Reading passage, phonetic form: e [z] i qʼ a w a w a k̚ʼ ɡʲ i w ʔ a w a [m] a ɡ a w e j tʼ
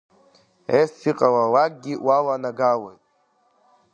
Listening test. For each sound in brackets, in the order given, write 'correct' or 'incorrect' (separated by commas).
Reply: incorrect, incorrect